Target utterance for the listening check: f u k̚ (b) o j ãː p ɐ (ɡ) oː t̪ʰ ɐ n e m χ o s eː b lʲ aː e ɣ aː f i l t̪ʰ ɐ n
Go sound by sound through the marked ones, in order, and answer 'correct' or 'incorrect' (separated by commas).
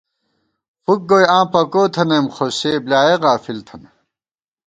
incorrect, incorrect